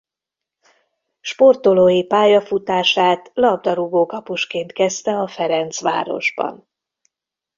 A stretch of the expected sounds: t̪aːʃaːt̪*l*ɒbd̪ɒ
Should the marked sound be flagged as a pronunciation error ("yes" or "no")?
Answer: no